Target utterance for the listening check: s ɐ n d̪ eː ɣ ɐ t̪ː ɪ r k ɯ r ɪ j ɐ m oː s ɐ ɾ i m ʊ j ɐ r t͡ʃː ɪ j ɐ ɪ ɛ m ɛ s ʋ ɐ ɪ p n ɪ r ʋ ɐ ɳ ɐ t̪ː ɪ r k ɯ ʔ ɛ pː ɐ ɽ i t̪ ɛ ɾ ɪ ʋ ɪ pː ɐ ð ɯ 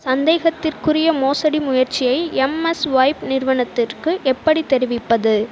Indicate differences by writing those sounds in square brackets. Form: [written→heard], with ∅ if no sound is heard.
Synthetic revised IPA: s ɐ n d̪ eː ɣ ɐ t̪ː ɪ r k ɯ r ɪ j ɐ m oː s ɐ [ɾ→ɽ] i m ʊ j ɐ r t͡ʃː ɪ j ɐ ɪ ɛ m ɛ s ʋ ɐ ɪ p n ɪ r ʋ ɐ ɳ ɐ t̪ː ɪ r k ɯ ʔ ɛ pː ɐ ɽ i t̪ ɛ ɾ ɪ ʋ ɪ pː ɐ ð ɯ